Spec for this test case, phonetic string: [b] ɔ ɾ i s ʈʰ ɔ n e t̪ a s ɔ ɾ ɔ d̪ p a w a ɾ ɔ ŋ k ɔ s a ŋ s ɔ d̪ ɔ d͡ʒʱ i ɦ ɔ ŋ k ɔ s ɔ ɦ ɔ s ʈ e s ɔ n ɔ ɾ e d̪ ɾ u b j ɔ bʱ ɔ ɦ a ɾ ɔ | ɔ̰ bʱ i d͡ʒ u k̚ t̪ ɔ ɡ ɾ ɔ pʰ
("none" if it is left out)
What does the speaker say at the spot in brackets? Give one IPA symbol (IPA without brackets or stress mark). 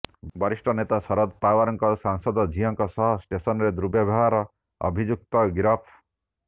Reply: b